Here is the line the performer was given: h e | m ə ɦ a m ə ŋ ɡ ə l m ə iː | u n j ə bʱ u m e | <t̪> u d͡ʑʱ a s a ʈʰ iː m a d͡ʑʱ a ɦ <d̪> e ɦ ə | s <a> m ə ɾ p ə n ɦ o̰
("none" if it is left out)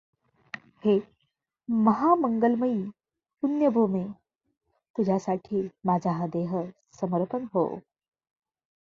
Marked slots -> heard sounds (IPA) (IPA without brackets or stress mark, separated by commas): t̪, d̪, ə